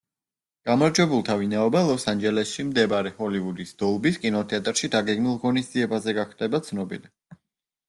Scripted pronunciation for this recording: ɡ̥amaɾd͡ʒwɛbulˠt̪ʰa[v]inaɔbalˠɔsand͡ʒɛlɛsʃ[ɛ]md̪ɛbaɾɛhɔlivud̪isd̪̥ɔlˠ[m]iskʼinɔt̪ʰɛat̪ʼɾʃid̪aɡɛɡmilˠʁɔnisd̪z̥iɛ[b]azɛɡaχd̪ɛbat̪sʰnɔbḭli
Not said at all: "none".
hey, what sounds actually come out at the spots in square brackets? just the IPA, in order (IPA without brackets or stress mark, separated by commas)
v, i, b, b